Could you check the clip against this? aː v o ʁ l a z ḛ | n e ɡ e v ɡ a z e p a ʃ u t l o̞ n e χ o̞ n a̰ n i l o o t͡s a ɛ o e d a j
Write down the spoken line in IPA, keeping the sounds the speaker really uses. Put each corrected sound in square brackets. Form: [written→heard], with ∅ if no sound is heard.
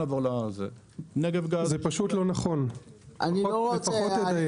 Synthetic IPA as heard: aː v o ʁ l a z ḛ | n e ɡ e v ɡ a z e p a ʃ u t l o̞ n [e→a] χ o̞ n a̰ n i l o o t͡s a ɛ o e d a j